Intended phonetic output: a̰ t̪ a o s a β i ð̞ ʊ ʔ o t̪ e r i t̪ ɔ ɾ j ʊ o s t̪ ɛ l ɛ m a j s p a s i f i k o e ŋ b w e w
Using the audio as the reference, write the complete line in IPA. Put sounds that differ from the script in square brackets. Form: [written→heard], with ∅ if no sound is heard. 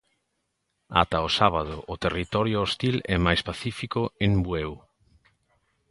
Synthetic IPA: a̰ t̪ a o s a β [i→a] ð̞ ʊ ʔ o t̪ e r i t̪ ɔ ɾ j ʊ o s t̪ [ɛ→i] l ɛ m a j s p a [s→θ] i f i k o e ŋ b w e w